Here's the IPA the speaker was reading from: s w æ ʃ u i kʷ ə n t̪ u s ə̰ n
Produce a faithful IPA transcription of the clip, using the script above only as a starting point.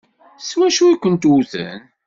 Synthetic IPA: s w æ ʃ u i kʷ ə n t̪ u θ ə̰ n